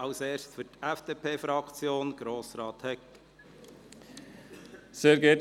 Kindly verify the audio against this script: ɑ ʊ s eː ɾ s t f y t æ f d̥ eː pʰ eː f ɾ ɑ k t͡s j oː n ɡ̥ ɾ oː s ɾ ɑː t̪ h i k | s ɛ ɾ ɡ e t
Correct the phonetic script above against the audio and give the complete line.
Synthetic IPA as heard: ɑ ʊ s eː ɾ s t f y t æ f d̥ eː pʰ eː f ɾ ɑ k t͡s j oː n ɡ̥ ɾ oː s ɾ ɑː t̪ h ɛ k | s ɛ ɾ ɡ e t